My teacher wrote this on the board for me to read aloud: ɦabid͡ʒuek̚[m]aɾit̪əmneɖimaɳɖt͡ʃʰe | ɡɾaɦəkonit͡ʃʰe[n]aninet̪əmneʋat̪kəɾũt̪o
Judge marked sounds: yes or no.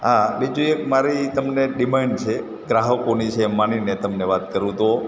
yes, no

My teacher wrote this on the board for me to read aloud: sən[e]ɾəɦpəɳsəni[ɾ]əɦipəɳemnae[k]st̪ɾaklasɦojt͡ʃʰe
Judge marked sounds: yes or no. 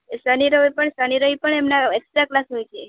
no, yes, yes

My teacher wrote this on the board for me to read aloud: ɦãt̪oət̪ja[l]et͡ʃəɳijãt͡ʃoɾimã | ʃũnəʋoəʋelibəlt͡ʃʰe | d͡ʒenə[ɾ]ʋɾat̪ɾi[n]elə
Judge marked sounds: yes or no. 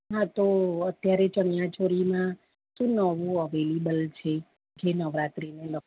no, no, yes

